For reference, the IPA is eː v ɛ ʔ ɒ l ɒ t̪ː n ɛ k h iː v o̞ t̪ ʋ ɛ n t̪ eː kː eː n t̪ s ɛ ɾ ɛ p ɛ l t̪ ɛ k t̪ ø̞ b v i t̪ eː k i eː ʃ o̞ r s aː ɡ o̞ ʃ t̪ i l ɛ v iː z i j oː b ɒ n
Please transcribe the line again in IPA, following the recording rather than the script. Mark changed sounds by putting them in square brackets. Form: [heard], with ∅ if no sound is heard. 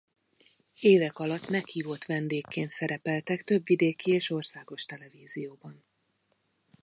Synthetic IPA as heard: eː v ɛ [k] ɒ l ɒ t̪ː [m] ɛ k h iː v o̞ t̪ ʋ ɛ n [d̪] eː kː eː n t̪ s ɛ ɾ ɛ p ɛ l t̪ ɛ k t̪ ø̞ b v i [d̪] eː k i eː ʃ o̞ r s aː ɡ o̞ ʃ t̪ [ɛ] l ɛ v iː z i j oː b ɒ n